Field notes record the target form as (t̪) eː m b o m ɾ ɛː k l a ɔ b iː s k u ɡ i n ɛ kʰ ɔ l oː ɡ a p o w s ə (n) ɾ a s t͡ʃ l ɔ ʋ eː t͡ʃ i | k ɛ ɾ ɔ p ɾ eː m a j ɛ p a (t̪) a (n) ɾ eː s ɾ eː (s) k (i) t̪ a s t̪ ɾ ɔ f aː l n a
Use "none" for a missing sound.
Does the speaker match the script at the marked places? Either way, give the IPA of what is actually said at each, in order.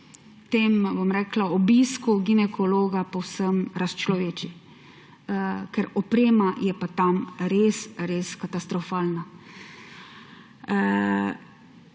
t̪, m, t̪, m, s, a

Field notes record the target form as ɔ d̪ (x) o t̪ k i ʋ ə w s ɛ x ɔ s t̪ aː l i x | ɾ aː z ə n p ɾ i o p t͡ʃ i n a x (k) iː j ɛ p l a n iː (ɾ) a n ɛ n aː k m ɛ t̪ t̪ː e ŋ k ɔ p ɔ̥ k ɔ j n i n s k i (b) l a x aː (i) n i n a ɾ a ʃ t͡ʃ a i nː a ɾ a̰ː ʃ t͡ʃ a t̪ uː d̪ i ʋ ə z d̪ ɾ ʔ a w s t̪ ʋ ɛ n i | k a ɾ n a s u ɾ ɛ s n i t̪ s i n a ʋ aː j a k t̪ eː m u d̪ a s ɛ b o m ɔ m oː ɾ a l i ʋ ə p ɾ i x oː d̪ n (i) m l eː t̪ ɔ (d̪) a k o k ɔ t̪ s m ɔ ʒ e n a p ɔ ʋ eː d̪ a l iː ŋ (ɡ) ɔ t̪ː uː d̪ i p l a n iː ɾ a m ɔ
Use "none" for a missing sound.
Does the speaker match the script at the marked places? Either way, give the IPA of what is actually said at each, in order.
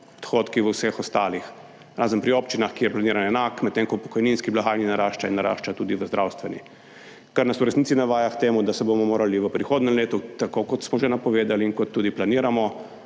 x, k, ɾ, b, j, ɛ, t̪, k

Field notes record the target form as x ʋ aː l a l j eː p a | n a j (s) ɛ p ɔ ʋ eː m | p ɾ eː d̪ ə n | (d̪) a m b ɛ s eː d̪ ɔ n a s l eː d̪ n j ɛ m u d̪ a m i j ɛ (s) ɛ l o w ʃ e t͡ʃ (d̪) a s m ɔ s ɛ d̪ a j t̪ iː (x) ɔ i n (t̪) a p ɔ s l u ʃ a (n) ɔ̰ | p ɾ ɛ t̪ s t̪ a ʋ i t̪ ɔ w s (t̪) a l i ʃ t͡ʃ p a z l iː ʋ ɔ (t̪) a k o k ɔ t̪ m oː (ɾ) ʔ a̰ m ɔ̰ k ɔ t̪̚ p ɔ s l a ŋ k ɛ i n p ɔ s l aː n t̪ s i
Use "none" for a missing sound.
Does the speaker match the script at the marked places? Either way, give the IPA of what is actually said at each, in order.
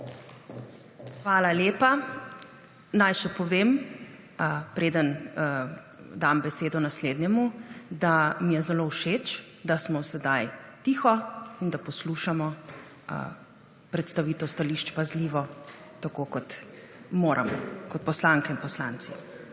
ʃ, d̪, z, d̪, x, d̪, m, t̪, t̪, ɾ

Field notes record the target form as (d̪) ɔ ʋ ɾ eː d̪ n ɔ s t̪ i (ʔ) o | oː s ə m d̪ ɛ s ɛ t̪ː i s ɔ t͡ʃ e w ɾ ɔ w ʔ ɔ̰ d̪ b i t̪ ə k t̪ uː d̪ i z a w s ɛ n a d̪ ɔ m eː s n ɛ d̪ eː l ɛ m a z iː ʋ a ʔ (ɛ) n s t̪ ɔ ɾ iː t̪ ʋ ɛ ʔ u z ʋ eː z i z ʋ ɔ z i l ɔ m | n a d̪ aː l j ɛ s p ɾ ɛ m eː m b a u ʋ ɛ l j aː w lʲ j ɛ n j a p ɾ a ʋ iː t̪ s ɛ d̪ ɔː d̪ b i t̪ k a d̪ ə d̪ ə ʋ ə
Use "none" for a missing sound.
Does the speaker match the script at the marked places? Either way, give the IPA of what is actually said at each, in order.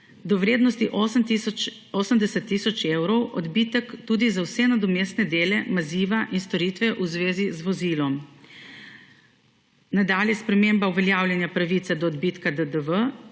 d̪, ʔ, i

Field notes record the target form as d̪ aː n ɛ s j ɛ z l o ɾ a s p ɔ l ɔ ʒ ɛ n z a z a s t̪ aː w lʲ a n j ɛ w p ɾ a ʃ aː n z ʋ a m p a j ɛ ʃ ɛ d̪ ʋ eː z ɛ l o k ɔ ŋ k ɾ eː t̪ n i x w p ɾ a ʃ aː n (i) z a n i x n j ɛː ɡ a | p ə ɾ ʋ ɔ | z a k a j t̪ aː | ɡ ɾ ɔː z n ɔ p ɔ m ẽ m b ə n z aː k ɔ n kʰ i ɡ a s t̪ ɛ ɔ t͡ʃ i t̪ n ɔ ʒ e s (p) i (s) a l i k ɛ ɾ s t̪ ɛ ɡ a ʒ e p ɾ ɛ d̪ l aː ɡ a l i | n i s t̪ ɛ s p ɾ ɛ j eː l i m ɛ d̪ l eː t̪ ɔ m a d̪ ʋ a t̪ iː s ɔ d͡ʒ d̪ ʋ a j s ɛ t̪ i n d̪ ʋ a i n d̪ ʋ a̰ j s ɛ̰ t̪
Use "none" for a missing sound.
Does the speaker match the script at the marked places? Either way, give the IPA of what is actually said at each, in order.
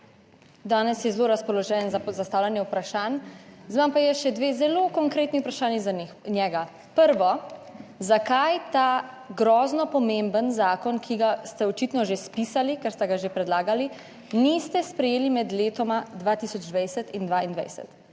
i, p, s

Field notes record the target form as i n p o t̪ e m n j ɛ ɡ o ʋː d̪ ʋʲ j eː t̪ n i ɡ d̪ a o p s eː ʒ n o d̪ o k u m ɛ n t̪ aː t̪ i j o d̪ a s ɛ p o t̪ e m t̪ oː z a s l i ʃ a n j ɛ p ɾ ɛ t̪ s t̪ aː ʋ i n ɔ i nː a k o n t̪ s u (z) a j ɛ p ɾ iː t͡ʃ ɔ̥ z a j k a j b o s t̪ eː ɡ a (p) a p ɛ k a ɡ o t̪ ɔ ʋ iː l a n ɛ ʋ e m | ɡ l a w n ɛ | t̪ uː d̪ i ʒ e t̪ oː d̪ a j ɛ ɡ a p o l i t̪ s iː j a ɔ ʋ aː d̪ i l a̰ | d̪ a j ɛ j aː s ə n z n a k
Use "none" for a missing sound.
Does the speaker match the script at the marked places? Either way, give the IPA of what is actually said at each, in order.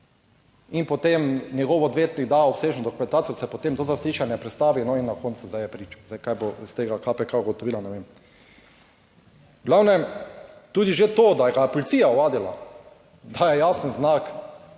z, k

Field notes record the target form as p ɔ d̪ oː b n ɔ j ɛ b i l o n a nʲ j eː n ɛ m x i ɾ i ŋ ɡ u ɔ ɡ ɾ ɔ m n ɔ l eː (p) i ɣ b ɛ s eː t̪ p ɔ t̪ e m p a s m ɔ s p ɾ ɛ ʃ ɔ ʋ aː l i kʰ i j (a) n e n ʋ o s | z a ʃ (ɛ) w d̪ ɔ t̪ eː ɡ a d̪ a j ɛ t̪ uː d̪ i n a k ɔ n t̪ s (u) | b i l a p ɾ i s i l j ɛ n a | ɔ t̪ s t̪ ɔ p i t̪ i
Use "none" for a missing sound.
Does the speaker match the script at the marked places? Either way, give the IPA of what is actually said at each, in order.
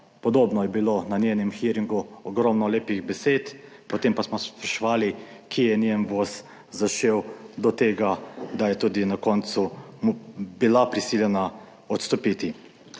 p, ɛ, e, u

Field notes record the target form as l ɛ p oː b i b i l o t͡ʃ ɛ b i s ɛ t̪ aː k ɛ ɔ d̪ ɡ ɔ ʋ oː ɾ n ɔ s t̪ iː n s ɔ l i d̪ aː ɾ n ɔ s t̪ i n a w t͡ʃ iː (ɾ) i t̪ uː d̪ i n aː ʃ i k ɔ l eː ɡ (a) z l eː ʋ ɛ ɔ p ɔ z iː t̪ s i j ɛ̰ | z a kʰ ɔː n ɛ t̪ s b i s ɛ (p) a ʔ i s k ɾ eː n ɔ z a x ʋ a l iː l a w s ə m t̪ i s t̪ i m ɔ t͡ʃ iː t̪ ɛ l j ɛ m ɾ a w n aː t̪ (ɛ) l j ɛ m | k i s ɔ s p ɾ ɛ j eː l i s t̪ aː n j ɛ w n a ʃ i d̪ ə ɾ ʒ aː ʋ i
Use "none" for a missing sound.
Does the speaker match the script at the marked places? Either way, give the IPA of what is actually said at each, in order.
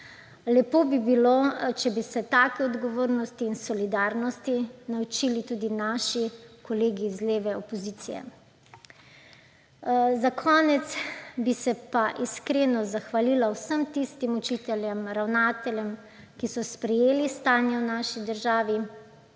l, i, p, ɛ

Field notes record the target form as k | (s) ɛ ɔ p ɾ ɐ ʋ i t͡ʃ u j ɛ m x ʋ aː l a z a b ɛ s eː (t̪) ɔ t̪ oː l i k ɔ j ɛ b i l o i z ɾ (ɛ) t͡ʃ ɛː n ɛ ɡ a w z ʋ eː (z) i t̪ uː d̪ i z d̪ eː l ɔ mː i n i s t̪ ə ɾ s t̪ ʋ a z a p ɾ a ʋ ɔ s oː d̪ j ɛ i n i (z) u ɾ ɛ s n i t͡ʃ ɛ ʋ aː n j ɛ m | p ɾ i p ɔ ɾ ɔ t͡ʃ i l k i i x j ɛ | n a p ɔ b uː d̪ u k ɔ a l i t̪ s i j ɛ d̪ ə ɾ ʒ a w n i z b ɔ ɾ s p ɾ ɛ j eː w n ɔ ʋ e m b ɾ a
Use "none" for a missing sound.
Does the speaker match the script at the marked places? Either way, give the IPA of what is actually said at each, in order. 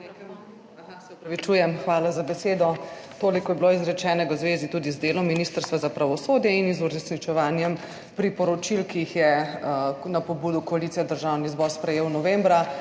s, d̪, ɛ, z, z

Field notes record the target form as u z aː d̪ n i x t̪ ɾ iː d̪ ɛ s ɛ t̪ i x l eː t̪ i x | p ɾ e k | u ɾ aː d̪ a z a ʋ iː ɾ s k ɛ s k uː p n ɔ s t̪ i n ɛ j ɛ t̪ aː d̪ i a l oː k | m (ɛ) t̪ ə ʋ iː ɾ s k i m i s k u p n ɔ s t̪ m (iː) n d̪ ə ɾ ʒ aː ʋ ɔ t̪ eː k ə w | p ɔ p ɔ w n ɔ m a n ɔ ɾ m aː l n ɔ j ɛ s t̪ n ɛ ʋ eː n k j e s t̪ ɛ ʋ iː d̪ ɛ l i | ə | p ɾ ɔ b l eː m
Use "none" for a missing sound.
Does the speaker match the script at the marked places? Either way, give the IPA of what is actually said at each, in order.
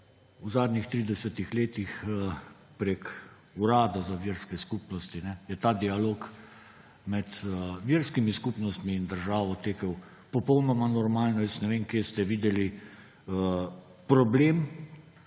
ɛ, iː

